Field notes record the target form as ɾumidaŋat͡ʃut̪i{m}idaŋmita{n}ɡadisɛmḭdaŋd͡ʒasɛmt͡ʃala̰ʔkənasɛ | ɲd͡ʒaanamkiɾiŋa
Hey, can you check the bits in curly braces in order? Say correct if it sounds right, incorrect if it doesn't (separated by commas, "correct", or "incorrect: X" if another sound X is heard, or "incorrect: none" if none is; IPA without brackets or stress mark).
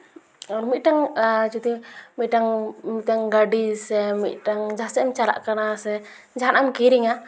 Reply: correct, incorrect: ŋ